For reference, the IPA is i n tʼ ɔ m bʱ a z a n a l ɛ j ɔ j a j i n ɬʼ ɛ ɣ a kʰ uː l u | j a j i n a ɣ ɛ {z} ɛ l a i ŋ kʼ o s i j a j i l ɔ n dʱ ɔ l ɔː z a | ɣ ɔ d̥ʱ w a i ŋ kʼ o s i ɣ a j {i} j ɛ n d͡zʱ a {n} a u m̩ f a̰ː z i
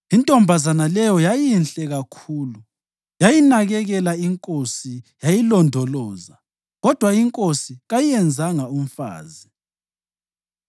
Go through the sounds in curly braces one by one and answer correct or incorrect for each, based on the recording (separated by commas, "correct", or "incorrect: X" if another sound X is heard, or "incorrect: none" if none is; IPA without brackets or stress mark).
incorrect: ɣ, correct, incorrect: ŋ